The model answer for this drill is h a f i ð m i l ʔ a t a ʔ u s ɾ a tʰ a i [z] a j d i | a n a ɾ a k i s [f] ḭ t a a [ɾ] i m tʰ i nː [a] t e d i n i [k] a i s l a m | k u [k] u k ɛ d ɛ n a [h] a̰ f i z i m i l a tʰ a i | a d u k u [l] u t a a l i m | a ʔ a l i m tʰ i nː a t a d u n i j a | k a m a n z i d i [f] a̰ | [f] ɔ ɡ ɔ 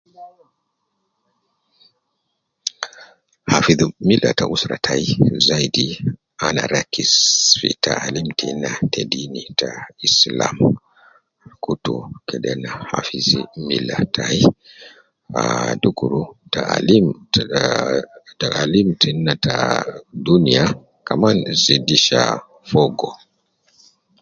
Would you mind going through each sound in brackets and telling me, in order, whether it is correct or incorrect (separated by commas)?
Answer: correct, correct, incorrect, correct, incorrect, incorrect, correct, incorrect, incorrect, correct